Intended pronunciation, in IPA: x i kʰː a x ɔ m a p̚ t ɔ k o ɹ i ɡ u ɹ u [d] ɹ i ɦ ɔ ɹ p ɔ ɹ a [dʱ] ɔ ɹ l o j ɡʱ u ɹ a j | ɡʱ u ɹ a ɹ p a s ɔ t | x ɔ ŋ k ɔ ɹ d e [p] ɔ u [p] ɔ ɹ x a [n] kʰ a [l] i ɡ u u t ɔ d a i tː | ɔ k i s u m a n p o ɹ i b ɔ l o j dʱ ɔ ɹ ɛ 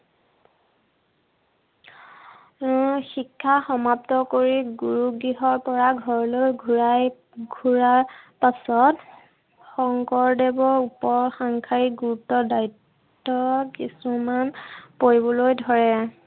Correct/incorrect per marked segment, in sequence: incorrect, incorrect, incorrect, correct, incorrect, incorrect

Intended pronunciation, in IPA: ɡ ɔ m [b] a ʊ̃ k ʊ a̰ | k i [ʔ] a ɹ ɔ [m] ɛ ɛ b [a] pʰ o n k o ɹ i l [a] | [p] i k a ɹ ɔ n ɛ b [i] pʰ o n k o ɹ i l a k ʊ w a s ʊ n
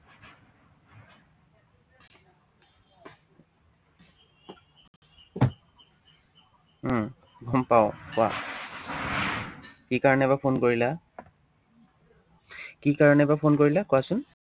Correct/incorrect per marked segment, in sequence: incorrect, incorrect, incorrect, correct, correct, incorrect, incorrect

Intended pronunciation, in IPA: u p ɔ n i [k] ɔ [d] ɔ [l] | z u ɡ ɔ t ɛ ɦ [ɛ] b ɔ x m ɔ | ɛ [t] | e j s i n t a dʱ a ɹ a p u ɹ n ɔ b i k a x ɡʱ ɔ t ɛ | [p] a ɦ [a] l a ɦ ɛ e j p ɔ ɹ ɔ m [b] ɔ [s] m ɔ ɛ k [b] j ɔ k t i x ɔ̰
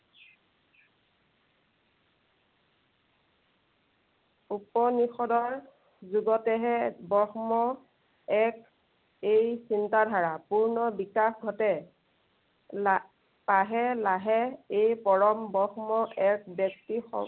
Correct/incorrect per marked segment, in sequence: incorrect, correct, incorrect, correct, incorrect, correct, incorrect, correct, incorrect, correct

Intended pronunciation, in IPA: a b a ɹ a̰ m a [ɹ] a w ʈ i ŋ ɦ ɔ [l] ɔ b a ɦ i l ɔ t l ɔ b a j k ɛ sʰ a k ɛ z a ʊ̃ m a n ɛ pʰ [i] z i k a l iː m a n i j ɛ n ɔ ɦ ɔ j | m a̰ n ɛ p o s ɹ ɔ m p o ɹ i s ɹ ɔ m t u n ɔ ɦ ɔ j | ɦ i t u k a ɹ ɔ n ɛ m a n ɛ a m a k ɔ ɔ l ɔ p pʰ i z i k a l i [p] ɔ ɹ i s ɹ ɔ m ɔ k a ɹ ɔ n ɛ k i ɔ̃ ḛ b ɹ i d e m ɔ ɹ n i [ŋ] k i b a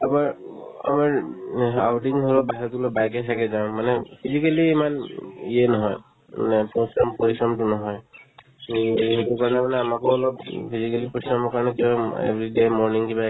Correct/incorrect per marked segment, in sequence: correct, correct, correct, correct, correct

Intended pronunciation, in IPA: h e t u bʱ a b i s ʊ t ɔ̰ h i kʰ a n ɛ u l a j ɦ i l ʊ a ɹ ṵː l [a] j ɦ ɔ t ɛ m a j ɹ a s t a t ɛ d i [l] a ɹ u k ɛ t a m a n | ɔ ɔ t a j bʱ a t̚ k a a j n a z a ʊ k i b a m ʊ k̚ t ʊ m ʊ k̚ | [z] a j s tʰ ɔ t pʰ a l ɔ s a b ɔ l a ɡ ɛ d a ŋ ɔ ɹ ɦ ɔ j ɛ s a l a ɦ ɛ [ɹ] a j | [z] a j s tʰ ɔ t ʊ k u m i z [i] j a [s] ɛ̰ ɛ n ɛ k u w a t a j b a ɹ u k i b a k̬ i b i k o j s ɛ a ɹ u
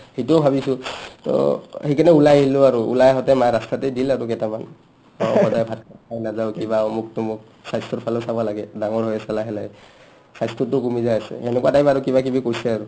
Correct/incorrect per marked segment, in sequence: correct, correct, incorrect, incorrect, incorrect, incorrect, correct

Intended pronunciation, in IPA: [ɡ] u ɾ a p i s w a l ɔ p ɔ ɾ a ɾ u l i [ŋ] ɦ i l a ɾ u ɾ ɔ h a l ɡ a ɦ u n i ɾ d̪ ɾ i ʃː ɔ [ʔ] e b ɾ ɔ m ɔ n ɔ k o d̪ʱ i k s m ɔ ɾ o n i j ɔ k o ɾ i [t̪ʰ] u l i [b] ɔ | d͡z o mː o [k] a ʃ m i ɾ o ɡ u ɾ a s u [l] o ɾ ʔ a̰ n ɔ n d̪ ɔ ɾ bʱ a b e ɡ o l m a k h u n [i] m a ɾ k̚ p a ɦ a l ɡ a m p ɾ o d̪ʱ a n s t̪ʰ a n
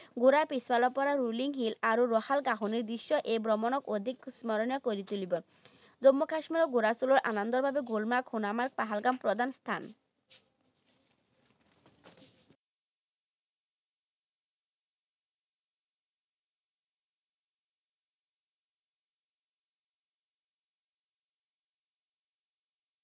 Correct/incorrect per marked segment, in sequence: correct, correct, correct, incorrect, correct, correct, correct, incorrect

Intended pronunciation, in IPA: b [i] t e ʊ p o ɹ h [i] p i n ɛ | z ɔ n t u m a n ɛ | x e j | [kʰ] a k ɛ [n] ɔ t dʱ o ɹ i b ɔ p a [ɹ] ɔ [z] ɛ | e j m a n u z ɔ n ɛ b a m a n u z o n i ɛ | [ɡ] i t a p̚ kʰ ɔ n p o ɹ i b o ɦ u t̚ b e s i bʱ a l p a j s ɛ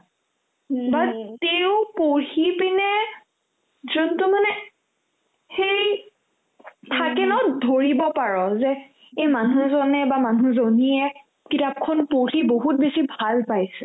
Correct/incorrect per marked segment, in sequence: incorrect, correct, incorrect, correct, correct, correct, incorrect

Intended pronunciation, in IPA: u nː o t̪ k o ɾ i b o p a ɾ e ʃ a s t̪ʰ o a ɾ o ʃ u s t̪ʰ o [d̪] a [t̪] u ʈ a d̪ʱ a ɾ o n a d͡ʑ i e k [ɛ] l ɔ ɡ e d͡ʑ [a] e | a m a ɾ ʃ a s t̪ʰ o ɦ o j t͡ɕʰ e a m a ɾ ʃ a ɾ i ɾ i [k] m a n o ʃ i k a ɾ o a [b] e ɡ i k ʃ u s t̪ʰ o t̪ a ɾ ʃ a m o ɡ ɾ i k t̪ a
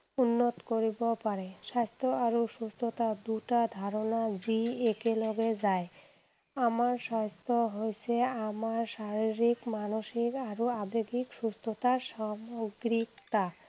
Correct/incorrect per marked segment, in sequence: incorrect, incorrect, incorrect, correct, correct, correct

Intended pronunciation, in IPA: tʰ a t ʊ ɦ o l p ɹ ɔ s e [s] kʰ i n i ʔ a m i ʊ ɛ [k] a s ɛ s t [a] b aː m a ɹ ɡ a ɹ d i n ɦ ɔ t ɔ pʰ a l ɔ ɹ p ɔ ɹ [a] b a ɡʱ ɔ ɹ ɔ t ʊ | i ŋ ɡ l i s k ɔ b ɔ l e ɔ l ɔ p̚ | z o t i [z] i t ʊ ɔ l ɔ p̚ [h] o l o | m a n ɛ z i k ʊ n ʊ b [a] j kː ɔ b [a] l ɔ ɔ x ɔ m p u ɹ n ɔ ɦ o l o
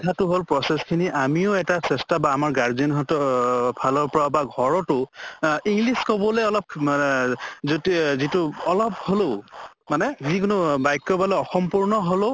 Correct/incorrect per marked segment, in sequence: correct, incorrect, correct, correct, correct, correct, correct, correct

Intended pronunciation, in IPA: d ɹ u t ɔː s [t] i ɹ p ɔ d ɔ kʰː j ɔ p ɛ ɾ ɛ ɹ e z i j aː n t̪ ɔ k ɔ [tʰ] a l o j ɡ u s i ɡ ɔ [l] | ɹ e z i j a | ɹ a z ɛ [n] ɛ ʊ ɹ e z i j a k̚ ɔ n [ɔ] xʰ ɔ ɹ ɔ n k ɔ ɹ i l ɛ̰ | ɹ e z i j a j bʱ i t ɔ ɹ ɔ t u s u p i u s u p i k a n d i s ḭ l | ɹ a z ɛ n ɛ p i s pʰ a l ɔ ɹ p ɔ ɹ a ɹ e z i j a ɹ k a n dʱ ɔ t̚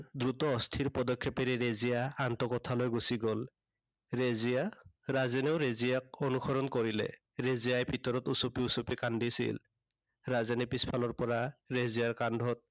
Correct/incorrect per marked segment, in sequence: incorrect, correct, correct, correct, incorrect

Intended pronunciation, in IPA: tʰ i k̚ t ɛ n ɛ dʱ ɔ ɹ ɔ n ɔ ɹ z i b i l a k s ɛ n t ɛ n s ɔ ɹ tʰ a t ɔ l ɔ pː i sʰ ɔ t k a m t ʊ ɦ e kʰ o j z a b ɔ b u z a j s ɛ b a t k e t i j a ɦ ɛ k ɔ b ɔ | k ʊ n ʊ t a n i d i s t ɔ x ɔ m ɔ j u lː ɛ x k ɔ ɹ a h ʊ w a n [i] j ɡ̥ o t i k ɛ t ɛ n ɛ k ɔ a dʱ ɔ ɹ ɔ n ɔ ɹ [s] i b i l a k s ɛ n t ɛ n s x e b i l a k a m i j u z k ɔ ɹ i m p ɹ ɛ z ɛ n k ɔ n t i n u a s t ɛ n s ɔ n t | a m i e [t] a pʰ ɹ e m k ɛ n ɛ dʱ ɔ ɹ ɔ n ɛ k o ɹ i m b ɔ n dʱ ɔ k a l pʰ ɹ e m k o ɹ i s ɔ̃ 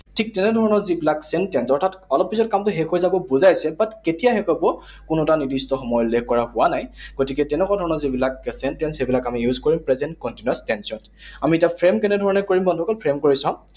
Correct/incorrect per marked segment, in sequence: incorrect, incorrect, correct

